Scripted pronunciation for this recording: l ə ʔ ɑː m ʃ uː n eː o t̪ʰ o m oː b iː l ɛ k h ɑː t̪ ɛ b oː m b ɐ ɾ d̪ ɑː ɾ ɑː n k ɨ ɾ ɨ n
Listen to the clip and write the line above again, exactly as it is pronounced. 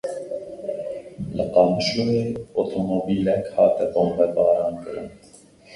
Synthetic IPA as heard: l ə q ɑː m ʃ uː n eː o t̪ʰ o m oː b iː l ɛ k h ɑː t̪ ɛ b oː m b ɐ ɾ d̪ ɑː ɾ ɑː n k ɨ ɾ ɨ n